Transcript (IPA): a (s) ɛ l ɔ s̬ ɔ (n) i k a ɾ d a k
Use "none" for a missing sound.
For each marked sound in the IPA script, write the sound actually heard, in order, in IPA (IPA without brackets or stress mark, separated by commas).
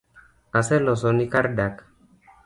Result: s, n